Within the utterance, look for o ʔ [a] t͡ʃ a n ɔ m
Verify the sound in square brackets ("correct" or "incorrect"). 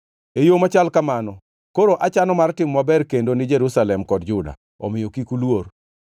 correct